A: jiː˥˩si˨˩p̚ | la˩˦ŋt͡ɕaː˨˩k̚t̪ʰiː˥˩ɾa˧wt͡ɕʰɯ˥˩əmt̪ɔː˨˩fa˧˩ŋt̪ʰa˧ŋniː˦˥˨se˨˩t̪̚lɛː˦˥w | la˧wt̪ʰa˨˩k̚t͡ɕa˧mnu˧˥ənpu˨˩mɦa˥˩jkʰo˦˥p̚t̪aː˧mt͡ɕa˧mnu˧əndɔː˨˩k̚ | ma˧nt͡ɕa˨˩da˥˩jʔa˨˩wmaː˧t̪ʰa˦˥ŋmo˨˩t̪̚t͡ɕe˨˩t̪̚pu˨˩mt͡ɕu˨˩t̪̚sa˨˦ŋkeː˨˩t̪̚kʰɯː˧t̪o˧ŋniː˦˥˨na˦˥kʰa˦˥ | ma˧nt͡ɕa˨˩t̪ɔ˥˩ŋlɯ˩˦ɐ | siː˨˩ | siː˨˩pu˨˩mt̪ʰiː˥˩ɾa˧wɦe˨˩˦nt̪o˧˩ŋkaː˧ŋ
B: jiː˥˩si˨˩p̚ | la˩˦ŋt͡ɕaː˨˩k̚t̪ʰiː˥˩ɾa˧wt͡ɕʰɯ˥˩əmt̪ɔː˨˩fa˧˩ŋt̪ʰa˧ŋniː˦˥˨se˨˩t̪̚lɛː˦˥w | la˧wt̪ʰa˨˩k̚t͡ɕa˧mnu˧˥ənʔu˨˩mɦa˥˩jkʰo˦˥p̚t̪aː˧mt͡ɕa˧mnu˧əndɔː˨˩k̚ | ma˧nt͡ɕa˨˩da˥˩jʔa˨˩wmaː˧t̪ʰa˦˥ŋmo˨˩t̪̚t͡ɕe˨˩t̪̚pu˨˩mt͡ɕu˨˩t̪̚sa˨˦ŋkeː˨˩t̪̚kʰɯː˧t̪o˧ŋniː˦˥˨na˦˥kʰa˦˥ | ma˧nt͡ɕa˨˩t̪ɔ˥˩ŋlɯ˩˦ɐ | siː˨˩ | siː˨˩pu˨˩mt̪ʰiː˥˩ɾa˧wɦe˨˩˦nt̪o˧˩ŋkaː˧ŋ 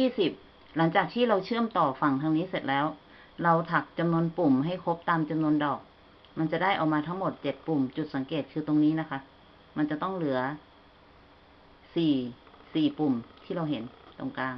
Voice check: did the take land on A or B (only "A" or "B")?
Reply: A